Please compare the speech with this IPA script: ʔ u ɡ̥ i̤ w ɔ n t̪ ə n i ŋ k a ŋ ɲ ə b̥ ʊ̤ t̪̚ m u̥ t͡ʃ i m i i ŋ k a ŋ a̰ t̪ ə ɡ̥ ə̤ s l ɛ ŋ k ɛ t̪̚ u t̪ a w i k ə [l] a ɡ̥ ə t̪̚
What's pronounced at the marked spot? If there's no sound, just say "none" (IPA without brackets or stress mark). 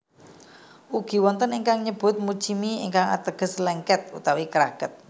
ɾ